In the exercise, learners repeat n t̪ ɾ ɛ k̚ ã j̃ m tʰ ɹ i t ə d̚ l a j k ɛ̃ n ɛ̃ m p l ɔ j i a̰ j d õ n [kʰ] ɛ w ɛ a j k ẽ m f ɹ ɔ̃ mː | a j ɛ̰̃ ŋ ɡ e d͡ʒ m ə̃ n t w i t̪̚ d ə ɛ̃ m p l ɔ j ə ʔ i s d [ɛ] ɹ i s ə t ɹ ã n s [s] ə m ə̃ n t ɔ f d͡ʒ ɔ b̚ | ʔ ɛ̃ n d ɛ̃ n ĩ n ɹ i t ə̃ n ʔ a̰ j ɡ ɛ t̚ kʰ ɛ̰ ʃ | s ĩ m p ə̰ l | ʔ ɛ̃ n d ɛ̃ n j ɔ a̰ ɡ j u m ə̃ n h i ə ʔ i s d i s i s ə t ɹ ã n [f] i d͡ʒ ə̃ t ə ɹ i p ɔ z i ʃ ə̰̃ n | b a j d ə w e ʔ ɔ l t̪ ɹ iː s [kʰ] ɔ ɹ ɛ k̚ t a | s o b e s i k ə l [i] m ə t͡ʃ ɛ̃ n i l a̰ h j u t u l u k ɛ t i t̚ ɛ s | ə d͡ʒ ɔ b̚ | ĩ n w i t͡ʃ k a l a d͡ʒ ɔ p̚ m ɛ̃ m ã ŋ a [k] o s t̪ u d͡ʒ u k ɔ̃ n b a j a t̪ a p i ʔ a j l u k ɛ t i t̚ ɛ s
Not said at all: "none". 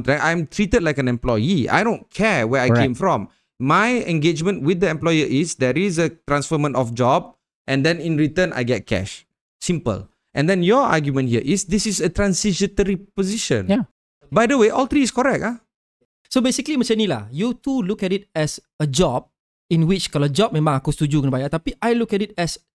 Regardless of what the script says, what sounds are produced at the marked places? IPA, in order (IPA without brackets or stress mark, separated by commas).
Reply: kʰ, ɛ, f, s, k, i, k